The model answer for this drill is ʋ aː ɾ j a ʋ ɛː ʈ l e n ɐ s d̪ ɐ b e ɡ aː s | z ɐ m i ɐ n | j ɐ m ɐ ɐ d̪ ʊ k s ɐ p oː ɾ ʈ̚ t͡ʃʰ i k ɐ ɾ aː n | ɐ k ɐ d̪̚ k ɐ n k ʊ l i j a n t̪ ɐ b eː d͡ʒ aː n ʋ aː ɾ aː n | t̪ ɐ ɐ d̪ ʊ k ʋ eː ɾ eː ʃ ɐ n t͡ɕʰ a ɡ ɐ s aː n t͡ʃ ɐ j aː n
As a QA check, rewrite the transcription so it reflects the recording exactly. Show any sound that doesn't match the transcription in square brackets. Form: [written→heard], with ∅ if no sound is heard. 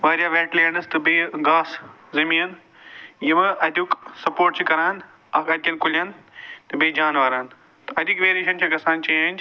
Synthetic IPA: ʋ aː ɾ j a ʋ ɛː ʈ l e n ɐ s [d̪→t̪] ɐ b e ɡ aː s | z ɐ m i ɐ n | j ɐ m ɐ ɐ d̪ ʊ k s ɐ p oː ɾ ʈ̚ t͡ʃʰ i k ɐ ɾ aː n | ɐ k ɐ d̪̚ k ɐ n k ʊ l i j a n t̪ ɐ b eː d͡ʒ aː n ʋ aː ɾ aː n | t̪ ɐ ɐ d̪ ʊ k ʋ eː ɾ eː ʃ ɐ n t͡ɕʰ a ɡ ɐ s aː n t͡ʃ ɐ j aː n